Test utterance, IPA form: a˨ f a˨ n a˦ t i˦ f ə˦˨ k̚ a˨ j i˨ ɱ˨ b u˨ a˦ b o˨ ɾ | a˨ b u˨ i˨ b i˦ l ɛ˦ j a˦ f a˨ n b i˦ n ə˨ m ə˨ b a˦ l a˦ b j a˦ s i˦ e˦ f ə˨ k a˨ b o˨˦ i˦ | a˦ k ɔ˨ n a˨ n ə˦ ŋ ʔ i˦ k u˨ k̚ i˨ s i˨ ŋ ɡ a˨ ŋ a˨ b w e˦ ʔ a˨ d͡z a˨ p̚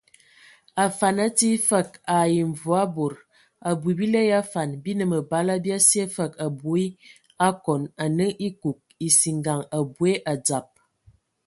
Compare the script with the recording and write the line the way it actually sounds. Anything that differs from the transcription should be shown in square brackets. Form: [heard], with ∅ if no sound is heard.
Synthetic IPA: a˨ f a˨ n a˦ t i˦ f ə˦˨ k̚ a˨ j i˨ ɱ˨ [v] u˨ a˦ b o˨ ɾ | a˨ b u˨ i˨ b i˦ l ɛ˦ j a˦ f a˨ n b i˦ n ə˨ m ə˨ b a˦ l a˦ b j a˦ s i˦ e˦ f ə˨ k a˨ b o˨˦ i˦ | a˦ k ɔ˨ n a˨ n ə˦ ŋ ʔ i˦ k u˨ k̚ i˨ s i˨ ŋ ɡ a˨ ŋ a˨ b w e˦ ʔ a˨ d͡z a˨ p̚